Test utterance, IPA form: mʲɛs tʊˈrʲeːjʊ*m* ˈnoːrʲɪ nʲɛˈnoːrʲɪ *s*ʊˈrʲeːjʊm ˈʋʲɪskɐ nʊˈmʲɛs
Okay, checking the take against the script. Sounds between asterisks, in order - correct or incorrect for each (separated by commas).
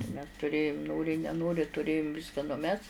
correct, incorrect